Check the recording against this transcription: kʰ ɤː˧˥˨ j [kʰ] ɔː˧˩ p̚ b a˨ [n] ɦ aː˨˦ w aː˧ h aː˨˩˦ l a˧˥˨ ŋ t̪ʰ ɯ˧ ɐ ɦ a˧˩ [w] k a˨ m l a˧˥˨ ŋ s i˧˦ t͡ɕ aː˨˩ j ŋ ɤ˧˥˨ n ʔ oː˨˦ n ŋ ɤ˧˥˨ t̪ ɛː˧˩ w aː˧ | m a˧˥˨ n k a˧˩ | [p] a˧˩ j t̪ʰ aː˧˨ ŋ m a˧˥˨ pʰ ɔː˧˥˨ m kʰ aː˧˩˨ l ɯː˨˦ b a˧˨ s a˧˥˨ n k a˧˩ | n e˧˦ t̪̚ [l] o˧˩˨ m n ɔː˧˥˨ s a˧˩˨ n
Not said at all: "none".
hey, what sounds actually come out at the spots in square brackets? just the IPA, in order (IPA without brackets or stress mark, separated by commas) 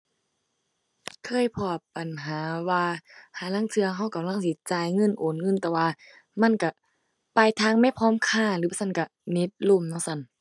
pʰ, n, w, p, l